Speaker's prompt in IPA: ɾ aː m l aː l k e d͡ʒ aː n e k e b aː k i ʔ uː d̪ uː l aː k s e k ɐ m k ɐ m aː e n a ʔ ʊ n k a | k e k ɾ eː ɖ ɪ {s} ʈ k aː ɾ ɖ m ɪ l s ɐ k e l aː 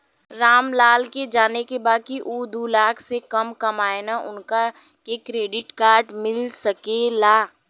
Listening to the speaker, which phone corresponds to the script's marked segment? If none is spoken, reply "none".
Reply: none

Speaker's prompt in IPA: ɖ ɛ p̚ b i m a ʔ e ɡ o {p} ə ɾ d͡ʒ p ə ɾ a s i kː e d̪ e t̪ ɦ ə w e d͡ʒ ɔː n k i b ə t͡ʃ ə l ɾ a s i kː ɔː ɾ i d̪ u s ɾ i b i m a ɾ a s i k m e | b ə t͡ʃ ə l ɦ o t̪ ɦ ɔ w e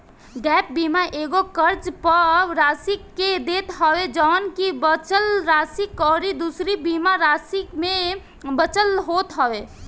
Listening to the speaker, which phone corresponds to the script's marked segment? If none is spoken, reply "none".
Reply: k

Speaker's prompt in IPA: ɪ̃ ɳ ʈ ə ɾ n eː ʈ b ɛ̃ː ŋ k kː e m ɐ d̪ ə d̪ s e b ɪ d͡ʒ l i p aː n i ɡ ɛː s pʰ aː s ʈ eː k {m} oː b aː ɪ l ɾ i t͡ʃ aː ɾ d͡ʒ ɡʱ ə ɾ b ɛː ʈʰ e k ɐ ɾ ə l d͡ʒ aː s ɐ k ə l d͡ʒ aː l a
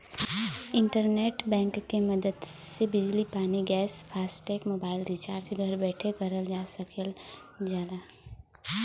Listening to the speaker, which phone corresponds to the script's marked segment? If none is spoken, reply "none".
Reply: m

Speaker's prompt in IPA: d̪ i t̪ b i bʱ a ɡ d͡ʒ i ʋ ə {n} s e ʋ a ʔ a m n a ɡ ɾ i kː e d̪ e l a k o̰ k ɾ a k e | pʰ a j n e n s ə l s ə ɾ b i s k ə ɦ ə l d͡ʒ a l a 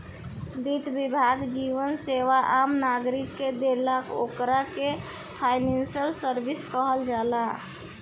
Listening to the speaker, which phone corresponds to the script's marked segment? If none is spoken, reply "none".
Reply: n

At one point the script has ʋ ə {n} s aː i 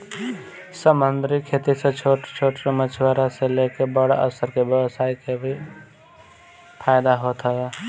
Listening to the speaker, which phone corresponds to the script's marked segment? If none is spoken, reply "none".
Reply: none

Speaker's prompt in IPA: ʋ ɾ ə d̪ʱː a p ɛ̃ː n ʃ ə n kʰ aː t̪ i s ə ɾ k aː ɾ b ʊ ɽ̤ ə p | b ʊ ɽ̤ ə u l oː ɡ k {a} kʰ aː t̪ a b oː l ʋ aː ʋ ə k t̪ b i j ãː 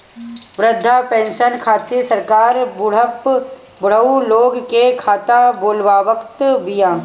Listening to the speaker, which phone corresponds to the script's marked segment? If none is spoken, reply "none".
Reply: e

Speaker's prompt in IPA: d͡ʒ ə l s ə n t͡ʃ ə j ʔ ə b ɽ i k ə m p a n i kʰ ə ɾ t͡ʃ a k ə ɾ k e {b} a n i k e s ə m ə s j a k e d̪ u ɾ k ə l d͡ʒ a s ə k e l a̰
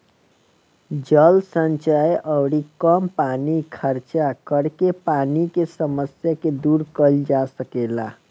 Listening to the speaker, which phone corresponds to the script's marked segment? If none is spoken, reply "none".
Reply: p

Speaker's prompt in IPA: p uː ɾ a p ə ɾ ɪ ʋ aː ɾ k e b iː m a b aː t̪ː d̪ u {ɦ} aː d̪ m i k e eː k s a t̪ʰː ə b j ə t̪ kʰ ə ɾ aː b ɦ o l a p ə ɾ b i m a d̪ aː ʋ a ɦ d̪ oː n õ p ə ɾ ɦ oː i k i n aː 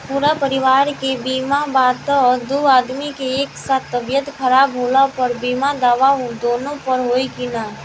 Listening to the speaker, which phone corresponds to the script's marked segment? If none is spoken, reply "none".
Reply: none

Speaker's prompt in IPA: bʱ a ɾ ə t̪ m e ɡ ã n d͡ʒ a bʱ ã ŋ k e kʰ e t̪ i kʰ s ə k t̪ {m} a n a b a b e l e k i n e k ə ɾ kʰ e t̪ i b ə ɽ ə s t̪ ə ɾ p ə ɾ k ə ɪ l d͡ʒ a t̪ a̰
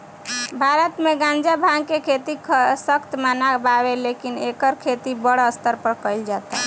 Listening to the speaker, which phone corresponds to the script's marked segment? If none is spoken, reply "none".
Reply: m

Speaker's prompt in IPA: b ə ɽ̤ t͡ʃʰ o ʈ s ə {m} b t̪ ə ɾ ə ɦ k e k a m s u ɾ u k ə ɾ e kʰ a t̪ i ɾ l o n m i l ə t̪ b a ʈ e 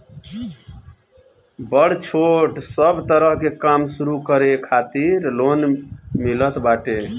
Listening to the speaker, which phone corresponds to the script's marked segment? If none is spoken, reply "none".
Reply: none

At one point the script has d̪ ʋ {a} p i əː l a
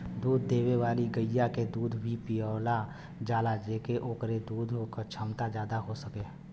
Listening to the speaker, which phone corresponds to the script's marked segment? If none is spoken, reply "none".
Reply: i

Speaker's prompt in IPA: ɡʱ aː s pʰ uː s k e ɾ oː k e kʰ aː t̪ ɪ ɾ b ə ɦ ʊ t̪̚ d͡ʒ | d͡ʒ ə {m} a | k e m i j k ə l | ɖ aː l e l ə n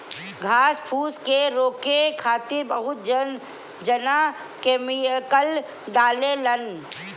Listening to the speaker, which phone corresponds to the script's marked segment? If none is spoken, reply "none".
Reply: n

